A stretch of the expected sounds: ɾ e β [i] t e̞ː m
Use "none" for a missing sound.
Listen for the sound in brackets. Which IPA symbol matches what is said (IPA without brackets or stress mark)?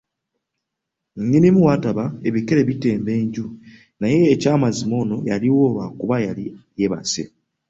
i